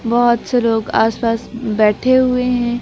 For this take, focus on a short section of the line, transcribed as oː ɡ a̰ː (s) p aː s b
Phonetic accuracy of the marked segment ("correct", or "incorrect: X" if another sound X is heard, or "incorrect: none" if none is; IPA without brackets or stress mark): correct